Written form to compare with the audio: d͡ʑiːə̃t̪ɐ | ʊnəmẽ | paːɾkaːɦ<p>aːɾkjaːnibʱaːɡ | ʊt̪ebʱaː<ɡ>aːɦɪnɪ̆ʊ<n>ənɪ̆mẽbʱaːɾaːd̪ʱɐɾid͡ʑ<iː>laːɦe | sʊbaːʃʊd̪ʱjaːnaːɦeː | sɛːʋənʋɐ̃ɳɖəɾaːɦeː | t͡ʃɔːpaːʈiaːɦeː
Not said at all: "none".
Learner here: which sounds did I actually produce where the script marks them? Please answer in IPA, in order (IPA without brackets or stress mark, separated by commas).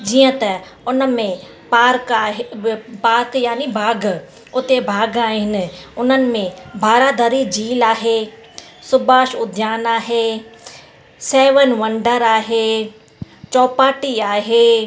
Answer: p, ɡ, n, iː